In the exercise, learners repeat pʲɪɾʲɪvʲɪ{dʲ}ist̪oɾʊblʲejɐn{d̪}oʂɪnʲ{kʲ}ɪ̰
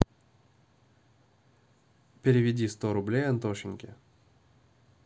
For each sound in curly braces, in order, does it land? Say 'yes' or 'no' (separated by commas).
yes, no, yes